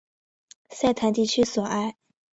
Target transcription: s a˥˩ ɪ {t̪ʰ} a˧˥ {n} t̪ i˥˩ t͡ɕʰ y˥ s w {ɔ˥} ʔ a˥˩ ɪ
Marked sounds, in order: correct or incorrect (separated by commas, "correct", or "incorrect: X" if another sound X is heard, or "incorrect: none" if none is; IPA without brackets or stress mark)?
correct, correct, incorrect: ɔ˨˩